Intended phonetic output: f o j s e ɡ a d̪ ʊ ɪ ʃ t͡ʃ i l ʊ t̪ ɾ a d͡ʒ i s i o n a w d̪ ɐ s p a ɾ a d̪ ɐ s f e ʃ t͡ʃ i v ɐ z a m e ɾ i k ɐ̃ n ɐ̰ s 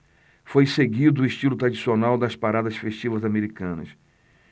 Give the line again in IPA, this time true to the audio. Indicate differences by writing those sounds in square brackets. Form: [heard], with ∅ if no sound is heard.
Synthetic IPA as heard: f o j s e ɡ [i] d̪ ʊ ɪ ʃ t͡ʃ i l ʊ t̪ ɾ a d͡ʒ i s i o n a w d̪ ɐ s p a ɾ a d̪ ɐ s f e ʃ t͡ʃ i v ɐ z a m e ɾ i k ɐ̃ n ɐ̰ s